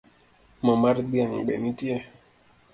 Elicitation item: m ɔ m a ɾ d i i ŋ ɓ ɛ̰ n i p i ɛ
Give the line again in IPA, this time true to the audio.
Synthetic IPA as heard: m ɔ m a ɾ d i a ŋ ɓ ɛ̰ n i t i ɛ